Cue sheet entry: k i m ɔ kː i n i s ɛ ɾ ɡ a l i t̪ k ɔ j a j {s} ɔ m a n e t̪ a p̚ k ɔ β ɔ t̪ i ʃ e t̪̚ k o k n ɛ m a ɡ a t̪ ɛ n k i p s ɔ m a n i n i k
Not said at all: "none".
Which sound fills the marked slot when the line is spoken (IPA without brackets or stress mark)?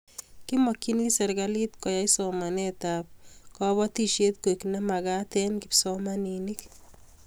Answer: s